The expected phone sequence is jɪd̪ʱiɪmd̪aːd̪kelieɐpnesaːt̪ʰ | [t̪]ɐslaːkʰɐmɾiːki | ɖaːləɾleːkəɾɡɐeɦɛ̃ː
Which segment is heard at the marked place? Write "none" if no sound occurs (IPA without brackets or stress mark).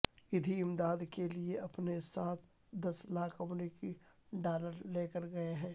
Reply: d̪